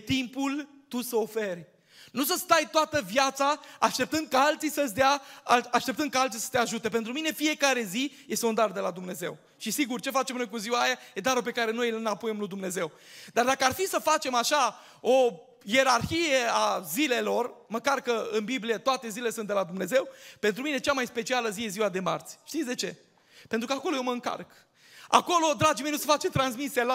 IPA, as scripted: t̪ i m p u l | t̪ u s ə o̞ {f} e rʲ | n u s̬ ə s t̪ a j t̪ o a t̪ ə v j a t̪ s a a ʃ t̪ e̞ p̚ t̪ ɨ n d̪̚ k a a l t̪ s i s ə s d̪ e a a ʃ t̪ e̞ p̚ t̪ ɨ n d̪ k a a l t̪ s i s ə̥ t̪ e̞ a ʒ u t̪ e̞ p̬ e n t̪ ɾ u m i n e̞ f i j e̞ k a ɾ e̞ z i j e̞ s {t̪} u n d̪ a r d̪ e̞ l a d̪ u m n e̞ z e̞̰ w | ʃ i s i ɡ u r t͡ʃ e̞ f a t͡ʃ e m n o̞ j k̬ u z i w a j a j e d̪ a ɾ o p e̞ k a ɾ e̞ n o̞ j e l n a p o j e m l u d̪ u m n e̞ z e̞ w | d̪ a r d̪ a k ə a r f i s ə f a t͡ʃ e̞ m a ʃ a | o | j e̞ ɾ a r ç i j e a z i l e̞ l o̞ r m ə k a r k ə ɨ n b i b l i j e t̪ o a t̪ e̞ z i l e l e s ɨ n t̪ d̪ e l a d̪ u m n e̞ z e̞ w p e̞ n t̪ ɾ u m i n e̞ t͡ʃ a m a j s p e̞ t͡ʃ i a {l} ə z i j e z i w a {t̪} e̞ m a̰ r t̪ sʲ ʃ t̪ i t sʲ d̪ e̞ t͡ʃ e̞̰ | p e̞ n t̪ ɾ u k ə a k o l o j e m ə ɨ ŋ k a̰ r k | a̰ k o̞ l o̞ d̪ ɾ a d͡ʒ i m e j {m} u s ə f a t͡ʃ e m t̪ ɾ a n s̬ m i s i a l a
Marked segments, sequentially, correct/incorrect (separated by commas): correct, correct, correct, incorrect, incorrect